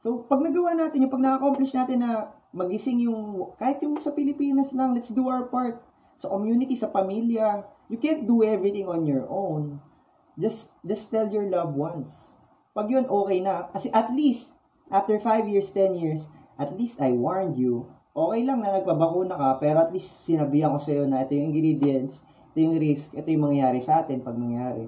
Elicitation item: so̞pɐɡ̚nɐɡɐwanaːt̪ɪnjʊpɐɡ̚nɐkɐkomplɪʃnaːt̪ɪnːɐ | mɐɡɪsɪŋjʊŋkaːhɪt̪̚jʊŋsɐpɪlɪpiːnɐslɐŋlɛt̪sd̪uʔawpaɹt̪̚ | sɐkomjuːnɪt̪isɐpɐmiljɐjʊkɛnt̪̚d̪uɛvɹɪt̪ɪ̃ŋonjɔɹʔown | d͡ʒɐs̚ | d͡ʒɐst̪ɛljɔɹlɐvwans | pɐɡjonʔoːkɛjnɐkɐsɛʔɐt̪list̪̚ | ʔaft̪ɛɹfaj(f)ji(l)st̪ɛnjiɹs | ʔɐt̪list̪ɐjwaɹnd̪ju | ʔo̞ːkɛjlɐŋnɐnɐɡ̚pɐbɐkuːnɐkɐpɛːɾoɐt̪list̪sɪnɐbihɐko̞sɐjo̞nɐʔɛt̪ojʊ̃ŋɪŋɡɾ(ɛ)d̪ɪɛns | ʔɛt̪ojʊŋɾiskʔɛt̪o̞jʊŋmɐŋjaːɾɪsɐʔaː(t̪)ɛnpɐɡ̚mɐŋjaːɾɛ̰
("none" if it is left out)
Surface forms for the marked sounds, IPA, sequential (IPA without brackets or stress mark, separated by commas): v, ɹ, i, t̪